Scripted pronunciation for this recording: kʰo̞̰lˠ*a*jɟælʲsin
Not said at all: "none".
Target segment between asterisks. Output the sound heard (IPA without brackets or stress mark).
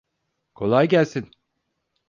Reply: a